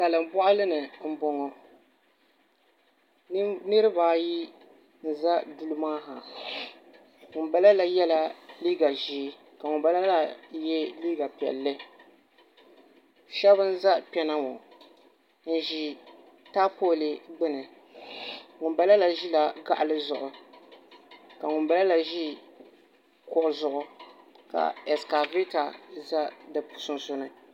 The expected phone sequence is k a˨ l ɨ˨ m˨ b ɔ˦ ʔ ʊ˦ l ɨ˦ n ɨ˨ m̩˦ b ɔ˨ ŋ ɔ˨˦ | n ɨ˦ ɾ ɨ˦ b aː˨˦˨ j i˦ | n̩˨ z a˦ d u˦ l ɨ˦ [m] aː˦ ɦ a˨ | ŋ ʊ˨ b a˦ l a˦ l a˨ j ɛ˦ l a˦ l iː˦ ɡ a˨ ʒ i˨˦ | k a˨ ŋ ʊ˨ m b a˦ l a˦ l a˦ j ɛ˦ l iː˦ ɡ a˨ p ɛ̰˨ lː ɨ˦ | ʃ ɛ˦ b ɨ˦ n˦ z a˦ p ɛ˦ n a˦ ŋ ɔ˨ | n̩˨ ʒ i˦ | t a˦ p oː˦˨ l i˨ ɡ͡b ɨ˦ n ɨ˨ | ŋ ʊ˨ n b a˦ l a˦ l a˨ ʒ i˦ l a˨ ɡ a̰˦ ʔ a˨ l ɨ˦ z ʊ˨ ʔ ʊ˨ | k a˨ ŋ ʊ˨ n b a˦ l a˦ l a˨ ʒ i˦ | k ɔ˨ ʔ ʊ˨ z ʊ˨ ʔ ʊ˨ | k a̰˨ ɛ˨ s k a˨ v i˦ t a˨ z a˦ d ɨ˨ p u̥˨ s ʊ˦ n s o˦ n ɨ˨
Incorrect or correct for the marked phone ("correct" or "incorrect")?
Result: correct